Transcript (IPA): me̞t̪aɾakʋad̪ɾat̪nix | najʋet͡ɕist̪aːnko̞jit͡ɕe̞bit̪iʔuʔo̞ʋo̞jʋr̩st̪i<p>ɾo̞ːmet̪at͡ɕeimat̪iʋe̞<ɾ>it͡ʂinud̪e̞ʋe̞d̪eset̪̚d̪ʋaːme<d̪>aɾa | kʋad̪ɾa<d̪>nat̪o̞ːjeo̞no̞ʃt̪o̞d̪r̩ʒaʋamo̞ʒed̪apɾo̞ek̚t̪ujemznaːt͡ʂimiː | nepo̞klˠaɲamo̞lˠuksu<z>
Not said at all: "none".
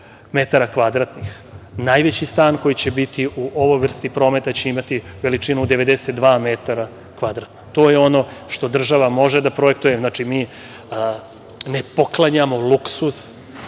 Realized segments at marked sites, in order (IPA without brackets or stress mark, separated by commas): p, l, t̪, t̪, s